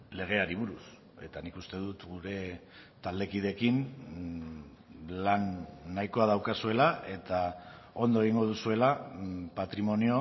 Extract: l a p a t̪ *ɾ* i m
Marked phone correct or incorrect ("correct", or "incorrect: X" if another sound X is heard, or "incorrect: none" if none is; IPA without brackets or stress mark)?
correct